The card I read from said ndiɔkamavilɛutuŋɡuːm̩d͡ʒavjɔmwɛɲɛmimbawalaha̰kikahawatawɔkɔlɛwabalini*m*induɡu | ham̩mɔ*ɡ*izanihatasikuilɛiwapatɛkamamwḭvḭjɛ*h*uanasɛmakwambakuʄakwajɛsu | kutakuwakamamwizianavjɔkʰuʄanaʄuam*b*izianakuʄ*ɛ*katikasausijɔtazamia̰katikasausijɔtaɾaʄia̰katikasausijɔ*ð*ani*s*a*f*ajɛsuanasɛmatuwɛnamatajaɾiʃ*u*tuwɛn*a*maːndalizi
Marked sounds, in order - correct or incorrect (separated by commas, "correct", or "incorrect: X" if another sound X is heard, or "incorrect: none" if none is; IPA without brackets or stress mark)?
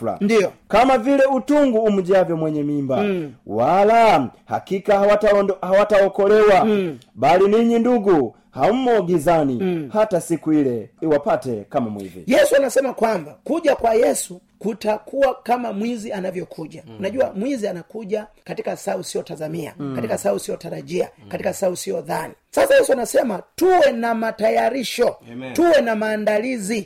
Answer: incorrect: ɲ, correct, incorrect: s, incorrect: w, incorrect: a, correct, correct, incorrect: s, incorrect: ɔ, correct